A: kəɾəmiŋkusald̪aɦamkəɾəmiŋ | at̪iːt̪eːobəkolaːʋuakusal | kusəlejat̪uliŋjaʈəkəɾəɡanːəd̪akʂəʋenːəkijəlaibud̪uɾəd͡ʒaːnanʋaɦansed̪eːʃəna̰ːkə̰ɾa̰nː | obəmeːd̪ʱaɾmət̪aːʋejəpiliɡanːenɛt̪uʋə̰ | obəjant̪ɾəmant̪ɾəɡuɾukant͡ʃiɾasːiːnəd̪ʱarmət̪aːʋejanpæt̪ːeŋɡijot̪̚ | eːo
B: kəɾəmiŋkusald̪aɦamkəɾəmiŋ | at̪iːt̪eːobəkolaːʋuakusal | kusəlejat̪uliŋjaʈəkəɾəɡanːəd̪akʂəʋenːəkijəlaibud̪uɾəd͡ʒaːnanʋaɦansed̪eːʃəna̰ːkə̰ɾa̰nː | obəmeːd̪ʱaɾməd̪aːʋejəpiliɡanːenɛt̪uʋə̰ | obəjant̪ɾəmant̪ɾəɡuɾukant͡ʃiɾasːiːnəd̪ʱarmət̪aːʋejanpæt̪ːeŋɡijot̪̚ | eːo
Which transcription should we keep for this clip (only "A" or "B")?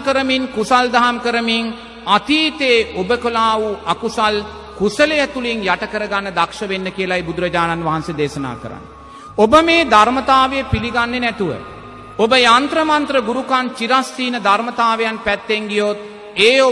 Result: A